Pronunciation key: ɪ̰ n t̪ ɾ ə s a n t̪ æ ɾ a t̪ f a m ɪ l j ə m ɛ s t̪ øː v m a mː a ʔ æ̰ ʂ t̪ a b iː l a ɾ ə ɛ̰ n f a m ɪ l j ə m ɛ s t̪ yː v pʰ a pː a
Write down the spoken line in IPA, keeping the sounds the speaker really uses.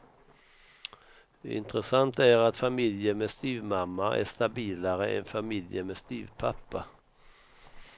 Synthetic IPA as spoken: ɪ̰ n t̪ ɾ ə s a n t̪ æ ɾ a t̪ f a m ɪ l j ə m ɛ s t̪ yː v m a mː a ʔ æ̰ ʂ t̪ a b iː l a ɾ ə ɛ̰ n f a m ɪ l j ə m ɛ s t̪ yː v pʰ a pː a